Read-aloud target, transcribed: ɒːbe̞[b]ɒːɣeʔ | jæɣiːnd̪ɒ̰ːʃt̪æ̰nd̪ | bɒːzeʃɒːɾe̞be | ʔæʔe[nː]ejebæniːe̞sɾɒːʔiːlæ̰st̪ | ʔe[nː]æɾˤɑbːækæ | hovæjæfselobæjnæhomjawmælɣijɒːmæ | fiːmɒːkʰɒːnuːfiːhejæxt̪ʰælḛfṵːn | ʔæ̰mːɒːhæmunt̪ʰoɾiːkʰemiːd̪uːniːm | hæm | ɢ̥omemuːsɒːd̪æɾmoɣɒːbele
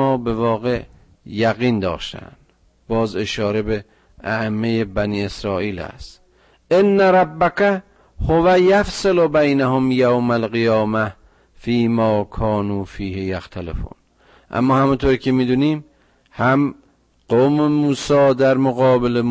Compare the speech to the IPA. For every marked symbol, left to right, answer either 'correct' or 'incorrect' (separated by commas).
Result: incorrect, incorrect, correct